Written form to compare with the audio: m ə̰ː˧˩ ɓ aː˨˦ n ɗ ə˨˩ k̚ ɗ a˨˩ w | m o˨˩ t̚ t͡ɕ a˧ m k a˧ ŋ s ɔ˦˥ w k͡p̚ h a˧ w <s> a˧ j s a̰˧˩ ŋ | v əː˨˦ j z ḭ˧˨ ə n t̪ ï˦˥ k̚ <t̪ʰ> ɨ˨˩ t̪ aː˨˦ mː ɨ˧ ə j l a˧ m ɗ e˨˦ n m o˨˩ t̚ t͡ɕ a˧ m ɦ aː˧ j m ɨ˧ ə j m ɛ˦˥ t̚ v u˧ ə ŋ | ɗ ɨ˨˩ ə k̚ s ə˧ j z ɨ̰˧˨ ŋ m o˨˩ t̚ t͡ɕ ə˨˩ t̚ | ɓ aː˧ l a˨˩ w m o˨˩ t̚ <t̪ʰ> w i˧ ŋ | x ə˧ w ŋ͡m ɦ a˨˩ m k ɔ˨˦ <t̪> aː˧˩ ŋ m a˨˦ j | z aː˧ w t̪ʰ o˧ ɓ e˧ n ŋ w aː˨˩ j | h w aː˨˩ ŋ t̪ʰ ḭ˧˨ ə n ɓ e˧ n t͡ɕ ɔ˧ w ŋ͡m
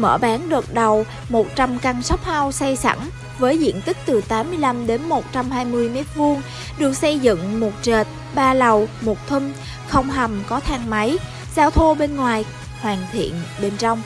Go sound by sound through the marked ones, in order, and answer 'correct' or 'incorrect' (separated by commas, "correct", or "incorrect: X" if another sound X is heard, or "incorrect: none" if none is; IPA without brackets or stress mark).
correct, incorrect: t̪, correct, incorrect: t̪ʰ